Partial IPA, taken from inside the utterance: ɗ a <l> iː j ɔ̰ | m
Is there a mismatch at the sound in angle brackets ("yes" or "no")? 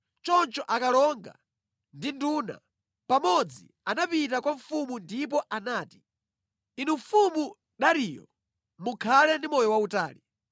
yes